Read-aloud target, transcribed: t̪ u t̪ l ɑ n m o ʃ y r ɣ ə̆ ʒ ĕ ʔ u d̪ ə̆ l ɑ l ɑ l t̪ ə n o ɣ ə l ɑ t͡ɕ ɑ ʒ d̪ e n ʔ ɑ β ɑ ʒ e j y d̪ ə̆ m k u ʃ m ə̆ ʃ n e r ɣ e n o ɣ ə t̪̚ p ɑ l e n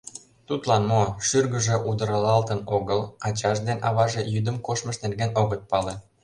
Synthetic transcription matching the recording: t̪ u t̪ l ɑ n m o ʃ y r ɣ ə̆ ʒ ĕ ʔ u d̪ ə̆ ɾ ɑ l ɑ l t̪ ə n o ɣ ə l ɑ t͡ɕ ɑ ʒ d̪ e n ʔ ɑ β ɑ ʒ e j y d̪ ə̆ m k o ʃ m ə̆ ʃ n e r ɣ e n o ɣ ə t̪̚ p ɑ l e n

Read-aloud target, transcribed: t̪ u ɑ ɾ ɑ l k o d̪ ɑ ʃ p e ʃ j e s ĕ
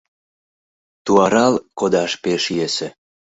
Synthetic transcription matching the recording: t̪ u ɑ ɾ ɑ l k o d̪ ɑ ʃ p e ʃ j e s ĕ

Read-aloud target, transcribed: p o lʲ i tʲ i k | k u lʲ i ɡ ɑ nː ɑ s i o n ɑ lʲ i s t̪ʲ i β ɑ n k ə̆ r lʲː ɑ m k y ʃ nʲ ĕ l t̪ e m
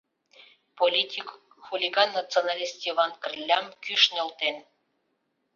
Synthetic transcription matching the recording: p o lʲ i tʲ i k | x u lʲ i ɡ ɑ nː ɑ t͡s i o n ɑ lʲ i s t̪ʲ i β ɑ n k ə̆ r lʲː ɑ m k y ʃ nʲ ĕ l t̪ e n

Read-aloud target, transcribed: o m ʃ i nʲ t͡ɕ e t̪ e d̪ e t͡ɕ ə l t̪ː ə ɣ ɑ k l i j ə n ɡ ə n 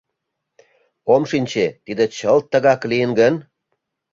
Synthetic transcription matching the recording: o m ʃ i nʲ t͡ɕ e t̪ i d̪ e t͡ɕ ə l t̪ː ə ɣ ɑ k l i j ə n ɡ ə n

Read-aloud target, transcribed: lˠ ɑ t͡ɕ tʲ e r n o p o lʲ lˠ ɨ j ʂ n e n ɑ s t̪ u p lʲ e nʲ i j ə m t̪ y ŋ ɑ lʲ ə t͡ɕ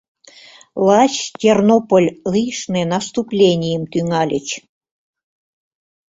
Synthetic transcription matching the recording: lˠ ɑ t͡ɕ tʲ e r n o p o lʲ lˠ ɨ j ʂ n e n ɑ s t̪ u p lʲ e nʲ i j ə m t̪ y ŋ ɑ lʲ ə t͡ɕ

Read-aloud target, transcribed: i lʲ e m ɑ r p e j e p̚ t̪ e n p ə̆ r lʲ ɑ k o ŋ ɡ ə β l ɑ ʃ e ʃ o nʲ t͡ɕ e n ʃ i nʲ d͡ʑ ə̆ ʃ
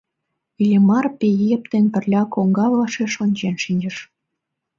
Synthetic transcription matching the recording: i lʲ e m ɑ r p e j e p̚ t̪ e n p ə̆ r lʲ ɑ k o ŋ ɡ ɑ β l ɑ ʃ e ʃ o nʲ t͡ɕ e n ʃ i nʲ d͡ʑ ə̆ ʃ

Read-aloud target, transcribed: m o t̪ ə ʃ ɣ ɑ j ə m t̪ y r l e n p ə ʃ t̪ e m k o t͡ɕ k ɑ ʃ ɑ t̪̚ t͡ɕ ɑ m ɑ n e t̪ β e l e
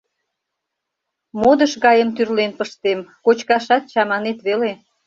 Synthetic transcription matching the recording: m o d̪ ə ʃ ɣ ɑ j ə m t̪ y r l e n p ə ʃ t̪ e m k o t͡ɕ k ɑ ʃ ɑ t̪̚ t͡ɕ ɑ m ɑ n e t̪ β e l e

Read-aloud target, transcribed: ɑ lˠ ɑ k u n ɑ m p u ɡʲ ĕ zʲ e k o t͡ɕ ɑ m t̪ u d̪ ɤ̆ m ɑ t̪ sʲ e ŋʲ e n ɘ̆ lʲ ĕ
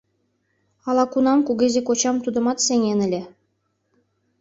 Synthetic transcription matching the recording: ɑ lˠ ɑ k u n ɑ m k u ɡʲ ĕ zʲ e k o t͡ɕ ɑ m t̪ u d̪ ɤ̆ m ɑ t̪ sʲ e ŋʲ e n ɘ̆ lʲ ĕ

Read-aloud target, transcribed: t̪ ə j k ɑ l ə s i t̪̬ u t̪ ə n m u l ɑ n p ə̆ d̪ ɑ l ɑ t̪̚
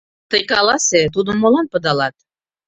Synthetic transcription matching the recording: t̪ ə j k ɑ l ɑ s e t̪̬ u d̪ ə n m o l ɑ n p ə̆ d̪ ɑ l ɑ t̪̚

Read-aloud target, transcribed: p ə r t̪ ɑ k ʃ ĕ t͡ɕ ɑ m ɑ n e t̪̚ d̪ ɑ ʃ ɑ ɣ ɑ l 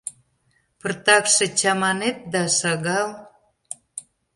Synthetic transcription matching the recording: p ə r t̪ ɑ k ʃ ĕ t͡ɕ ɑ m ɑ n e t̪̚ d̪ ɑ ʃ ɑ ɣ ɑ l

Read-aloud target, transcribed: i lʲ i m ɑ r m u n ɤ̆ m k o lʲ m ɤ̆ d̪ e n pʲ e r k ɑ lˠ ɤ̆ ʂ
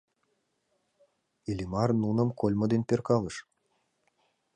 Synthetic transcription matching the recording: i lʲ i m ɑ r n u n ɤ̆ m k o lʲ m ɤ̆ d̪ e n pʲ e r k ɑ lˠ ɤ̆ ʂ

